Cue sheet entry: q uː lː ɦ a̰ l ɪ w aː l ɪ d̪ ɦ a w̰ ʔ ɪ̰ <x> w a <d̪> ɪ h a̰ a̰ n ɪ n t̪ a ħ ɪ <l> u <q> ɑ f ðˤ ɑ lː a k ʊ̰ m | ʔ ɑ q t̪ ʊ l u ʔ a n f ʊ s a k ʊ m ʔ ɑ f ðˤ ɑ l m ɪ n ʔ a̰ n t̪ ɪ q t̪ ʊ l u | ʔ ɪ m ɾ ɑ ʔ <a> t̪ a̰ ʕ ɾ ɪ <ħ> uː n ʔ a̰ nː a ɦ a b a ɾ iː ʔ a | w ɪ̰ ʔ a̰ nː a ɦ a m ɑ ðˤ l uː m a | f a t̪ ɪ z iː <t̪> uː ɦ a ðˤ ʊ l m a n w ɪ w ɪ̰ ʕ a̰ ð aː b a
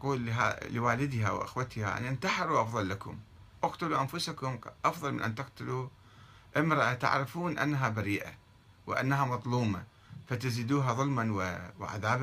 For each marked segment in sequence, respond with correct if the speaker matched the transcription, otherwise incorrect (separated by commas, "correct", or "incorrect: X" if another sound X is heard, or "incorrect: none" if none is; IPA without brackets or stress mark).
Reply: correct, incorrect: t̪, incorrect: ɾ, incorrect: ʔ, correct, incorrect: f, incorrect: d̪